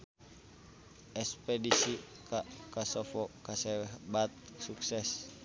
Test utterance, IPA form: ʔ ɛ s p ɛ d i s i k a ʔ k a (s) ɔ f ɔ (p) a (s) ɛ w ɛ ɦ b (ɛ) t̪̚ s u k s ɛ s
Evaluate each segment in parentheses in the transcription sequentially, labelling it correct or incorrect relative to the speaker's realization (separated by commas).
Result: correct, incorrect, correct, incorrect